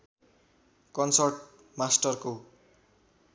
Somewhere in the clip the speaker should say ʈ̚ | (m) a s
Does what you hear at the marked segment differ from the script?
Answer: no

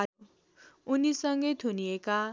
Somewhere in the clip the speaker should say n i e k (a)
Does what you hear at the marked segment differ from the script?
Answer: no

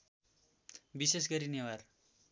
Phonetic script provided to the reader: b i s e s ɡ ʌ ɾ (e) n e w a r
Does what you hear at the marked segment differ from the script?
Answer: yes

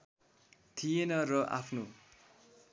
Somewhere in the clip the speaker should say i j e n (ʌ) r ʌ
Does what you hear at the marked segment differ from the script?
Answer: no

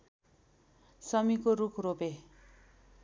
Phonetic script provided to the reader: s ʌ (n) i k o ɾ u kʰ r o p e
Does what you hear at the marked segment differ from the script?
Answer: yes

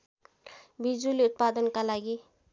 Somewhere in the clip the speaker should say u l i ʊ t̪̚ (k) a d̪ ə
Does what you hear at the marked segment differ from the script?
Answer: yes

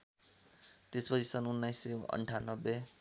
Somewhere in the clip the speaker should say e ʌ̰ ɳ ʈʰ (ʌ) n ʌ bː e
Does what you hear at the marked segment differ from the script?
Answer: yes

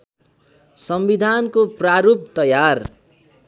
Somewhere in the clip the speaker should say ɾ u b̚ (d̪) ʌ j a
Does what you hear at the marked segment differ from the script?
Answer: yes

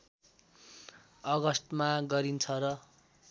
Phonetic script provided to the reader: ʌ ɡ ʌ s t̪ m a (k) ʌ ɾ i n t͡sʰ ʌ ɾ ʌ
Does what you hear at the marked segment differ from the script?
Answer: yes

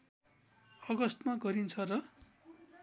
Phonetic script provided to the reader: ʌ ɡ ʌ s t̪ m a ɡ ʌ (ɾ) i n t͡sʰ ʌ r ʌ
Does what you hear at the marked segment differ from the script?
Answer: no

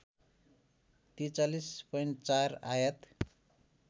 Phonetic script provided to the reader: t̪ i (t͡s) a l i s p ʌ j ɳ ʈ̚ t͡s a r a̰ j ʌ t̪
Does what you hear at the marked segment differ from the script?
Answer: no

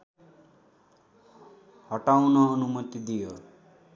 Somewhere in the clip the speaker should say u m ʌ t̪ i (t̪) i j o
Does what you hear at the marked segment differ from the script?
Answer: yes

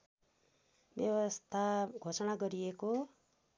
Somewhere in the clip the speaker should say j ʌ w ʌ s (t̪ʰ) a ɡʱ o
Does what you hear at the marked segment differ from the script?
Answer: no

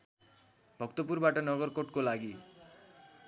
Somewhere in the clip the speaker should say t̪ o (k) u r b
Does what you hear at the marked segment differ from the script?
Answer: yes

